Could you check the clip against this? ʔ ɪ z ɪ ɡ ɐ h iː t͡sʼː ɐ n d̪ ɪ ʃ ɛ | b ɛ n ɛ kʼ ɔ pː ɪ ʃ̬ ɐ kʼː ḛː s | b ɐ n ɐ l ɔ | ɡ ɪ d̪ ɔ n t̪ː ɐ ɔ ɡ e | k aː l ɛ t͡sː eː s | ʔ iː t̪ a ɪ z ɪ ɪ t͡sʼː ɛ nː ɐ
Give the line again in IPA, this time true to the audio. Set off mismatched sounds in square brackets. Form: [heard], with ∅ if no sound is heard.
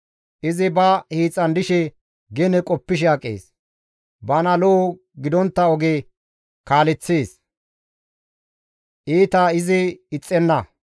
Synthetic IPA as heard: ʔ ɪ z ɪ [b] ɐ h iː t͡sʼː ɐ n d̪ ɪ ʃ ɛ | [ɡ] ɛ n ɛ kʼ ɔ pː ɪ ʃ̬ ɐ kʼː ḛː s | b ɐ n ɐ l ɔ | ɡ ɪ d̪ ɔ n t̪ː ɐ ɔ ɡ e | k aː l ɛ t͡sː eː s | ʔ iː t̪ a ɪ z ɪ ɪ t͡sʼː ɛ nː ɐ